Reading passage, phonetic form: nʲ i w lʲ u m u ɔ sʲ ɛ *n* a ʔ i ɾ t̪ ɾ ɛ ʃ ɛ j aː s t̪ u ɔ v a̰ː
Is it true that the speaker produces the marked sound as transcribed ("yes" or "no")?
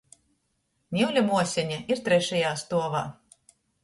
no